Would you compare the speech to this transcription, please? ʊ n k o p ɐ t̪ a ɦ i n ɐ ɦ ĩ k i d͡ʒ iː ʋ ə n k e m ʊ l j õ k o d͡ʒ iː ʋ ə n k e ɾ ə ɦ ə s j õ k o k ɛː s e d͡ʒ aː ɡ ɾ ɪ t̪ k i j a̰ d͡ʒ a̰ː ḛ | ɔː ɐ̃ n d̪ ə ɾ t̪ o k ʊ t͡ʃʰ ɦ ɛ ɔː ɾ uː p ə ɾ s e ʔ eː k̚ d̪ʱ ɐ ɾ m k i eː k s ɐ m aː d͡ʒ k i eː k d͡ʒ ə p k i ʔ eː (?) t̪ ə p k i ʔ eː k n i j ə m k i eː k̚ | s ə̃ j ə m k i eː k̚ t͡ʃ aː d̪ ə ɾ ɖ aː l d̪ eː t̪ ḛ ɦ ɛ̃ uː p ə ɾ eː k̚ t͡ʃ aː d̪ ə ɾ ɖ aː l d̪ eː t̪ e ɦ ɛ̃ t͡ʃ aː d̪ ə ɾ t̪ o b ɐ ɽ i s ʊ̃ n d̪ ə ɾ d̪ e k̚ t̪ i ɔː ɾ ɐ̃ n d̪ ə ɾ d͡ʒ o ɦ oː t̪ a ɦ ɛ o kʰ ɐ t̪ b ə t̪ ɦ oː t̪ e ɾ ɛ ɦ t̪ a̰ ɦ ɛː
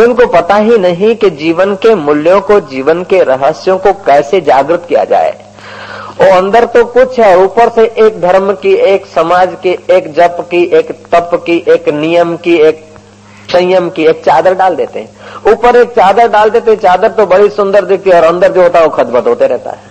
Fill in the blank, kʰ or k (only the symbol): k